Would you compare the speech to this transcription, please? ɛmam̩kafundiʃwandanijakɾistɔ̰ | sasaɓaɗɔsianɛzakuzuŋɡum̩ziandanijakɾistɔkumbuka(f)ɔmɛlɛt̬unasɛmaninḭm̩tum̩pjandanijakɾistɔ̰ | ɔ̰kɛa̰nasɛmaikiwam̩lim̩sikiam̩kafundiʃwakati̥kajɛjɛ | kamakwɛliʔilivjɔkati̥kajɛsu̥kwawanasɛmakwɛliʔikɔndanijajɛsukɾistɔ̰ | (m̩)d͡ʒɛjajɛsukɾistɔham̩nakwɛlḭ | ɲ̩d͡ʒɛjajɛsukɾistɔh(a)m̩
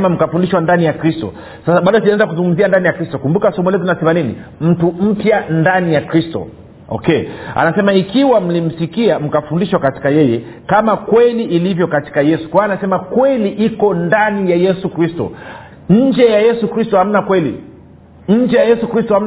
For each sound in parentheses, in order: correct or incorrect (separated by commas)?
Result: incorrect, incorrect, correct